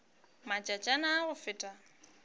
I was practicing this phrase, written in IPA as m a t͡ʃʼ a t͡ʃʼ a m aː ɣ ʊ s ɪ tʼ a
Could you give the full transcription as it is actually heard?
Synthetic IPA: m a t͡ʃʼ a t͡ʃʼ a n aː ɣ ʊ f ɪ tʼ a